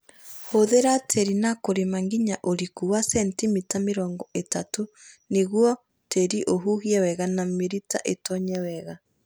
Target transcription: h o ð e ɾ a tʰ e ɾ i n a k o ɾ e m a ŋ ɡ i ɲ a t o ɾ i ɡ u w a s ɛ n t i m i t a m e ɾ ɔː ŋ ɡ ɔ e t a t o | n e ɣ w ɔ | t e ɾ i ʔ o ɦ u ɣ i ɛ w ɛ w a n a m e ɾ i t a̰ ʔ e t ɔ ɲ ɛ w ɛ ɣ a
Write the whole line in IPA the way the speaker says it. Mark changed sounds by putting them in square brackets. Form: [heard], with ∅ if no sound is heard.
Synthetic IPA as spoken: h o ð e ɾ a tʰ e ɾ i n a k o ɾ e m a ŋ ɡ i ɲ a [ʔ] o ɾ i [k] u w a s ɛ n t i m i t a m e ɾ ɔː ŋ ɡ ɔ e t a t o | n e ɣ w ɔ | t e ɾ i ʔ o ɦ u ɣ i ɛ w ɛ [ɣ] a n a m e ɾ i t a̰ ʔ e t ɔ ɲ ɛ w ɛ ɣ a